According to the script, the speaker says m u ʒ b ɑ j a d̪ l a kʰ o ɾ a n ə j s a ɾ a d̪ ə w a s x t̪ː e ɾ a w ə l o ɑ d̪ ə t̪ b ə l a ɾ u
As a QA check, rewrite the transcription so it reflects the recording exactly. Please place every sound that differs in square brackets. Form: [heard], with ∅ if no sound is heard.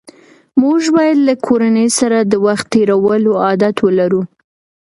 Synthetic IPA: m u ʒ b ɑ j a d̪ l a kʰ o ɾ a n ə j s a ɾ a d̪ ə w a [∅] x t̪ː e ɾ a w ə l o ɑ d̪ [a] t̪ [w] ə l a ɾ u